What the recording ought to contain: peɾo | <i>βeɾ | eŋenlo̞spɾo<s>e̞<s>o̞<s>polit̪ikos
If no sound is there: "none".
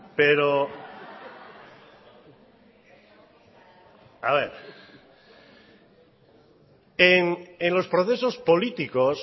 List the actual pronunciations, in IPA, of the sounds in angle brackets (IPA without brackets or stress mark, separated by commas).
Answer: a, θ, s, s